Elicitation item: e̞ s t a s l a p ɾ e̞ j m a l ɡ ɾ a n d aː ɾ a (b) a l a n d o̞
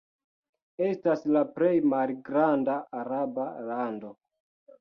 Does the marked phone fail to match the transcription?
no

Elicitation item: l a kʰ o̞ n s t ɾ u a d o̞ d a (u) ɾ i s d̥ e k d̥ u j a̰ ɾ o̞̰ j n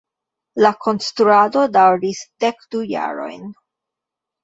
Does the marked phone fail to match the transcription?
yes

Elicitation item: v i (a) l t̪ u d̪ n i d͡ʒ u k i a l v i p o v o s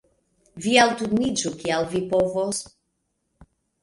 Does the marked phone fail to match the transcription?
no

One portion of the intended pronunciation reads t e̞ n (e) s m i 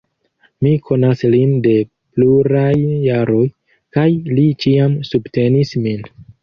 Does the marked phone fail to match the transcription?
yes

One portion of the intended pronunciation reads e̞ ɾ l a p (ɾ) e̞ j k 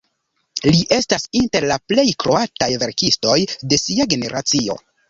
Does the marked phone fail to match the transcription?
yes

